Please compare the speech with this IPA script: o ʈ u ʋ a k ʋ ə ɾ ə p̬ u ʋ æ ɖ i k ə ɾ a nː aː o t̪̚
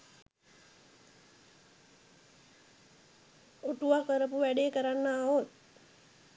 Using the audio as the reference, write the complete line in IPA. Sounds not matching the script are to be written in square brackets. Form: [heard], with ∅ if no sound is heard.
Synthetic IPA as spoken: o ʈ u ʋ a k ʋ ə ɾ ə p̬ u ʋ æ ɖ [e] k ə ɾ a nː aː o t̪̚